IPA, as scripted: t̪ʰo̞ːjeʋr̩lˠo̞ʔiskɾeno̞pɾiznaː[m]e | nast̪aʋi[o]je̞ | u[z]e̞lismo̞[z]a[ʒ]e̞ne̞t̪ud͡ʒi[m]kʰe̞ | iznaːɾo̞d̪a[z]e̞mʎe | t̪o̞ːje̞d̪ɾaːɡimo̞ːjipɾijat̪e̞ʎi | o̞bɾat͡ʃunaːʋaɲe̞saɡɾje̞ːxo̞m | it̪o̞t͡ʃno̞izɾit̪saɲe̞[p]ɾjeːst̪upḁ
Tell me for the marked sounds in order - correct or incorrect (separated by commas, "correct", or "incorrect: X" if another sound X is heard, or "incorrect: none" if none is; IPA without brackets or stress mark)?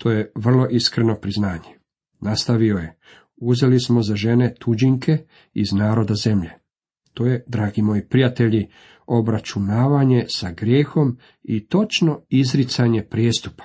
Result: incorrect: ɲ, correct, correct, correct, correct, incorrect: ŋ, correct, correct